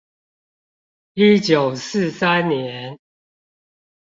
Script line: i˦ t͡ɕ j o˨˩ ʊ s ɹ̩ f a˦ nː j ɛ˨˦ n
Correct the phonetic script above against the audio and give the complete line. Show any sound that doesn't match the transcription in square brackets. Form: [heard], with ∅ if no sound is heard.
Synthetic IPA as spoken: i˦ t͡ɕ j o˨˩ ʊ s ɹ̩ [s] a˦ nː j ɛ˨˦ n